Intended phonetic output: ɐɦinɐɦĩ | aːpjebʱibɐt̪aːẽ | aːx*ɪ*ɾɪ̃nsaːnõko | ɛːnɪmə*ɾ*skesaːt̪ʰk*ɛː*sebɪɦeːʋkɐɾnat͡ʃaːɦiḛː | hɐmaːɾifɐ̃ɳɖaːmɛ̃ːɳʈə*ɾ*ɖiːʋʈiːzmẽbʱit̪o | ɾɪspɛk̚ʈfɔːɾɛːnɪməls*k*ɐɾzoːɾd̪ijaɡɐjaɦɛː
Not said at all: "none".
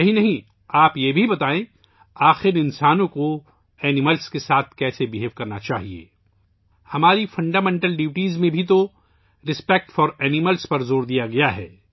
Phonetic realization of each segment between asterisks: ɪ, l, ɛː, l, p

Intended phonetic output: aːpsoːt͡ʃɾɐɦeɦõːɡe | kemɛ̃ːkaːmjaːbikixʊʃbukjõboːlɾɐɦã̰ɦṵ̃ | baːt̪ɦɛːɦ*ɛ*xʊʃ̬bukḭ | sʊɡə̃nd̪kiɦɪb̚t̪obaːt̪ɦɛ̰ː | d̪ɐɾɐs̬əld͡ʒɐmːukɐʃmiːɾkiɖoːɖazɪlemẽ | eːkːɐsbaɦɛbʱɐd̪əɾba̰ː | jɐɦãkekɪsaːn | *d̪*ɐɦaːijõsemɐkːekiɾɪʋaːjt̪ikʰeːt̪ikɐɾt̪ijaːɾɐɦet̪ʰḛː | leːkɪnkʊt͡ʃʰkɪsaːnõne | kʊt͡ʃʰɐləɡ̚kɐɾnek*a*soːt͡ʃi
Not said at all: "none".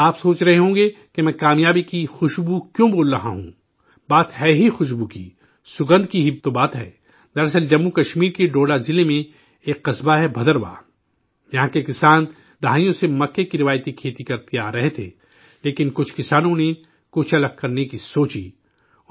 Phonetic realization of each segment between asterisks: i, d̪, i

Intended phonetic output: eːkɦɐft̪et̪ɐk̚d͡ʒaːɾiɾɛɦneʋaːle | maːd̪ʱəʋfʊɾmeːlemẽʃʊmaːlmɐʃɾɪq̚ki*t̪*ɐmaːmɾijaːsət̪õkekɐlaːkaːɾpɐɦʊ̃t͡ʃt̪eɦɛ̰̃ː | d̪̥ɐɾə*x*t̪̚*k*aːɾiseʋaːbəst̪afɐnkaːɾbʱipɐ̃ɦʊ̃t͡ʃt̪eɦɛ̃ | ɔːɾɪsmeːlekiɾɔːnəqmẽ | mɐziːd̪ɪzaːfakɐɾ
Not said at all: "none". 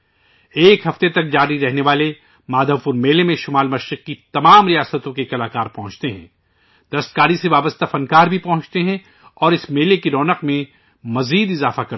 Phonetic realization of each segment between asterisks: t̪, s, k

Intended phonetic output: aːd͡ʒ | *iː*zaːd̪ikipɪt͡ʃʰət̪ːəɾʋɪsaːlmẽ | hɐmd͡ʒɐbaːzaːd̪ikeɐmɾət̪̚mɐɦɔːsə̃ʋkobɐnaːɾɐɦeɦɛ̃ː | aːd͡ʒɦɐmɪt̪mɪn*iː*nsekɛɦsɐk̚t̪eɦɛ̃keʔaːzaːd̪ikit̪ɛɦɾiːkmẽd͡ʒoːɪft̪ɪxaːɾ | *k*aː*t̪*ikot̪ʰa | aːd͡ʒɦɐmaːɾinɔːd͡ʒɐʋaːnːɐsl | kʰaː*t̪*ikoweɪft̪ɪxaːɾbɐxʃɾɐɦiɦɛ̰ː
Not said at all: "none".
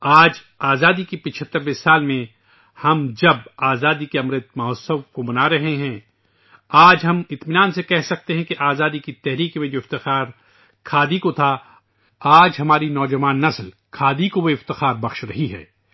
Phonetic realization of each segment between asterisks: aː, aː, kʰ, d̪, d̪

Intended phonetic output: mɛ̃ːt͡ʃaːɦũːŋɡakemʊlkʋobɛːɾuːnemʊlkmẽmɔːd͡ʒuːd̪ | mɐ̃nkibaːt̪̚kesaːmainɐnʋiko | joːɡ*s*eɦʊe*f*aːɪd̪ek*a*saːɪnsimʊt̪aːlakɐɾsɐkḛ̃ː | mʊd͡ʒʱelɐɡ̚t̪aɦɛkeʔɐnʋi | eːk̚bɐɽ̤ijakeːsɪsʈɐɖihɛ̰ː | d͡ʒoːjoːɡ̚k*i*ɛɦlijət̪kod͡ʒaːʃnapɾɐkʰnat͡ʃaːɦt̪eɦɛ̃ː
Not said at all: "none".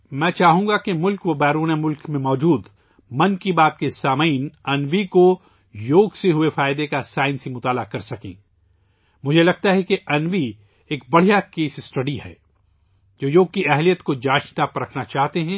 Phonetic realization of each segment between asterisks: s, f, a, i

